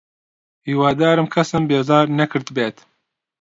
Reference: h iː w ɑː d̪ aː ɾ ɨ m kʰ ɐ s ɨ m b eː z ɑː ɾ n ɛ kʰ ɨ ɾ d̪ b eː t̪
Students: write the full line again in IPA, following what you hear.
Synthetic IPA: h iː w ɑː d̪ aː ɾ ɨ m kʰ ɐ s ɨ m b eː z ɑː ɾ n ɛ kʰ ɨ ɾ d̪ b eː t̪